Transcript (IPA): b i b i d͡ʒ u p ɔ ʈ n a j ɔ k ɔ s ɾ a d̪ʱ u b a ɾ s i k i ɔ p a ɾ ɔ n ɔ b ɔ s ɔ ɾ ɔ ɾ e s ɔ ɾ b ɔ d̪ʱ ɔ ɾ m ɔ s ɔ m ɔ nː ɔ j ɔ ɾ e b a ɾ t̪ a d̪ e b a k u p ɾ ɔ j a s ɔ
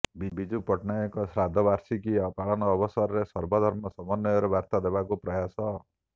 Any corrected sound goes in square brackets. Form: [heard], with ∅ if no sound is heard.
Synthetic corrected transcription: b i b i d͡ʒ u p ɔ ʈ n a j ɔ k ɔ s ɾ a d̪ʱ [ɔ] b a ɾ s i k i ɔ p a [ɭ] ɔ n [ɔː] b ɔ s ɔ ɾ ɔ ɾ e s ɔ ɾ b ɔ d̪ʱ ɔ ɾ m ɔ s ɔ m ɔ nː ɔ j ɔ ɾ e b a ɾ t̪ a d̪ e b a k u p ɾ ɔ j a s ɔ